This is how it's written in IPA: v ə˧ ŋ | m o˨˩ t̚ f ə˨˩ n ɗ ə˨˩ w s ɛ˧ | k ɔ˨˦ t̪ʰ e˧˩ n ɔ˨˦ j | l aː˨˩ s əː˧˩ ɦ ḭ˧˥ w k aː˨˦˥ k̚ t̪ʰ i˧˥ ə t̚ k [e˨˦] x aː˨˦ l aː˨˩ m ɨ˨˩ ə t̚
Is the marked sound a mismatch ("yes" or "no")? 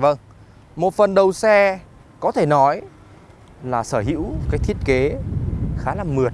no